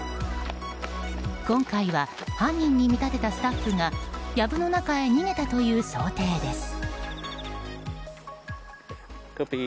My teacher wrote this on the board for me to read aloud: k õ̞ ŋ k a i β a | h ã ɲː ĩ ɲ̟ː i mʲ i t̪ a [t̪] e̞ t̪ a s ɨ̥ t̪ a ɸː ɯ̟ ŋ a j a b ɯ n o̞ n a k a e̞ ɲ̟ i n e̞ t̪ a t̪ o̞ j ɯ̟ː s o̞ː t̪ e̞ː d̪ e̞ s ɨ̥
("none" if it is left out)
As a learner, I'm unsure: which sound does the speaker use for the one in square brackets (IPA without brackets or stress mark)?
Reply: t̪